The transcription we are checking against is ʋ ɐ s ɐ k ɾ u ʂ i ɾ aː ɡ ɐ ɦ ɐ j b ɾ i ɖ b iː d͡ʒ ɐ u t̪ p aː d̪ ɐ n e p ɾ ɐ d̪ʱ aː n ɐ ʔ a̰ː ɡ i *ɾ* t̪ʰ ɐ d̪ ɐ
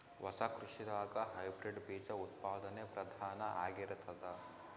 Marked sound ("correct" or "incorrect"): correct